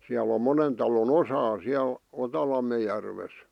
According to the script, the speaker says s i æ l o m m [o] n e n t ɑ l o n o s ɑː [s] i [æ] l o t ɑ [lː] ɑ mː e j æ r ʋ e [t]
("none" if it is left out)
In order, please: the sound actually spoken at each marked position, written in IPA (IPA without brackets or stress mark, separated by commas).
o, s, æ, l, s